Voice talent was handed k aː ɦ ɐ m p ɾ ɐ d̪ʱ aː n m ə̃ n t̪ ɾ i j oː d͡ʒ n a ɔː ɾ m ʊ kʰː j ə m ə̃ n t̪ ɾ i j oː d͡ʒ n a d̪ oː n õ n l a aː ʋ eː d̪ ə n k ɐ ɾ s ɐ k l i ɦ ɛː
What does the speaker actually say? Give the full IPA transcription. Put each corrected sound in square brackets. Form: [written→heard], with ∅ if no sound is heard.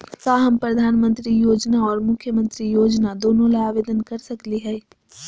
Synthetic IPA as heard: k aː ɦ ɐ m p ɾ ɐ d̪ʱ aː n m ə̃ n t̪ ɾ i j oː d͡ʒ n a ɔː ɾ m ʊ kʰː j ə m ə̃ n t̪ ɾ i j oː d͡ʒ n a d̪ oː n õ [n→∅] l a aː ʋ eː d̪ ə n k ɐ ɾ s ɐ k l i ɦ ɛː